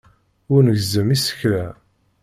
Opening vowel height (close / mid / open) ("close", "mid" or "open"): close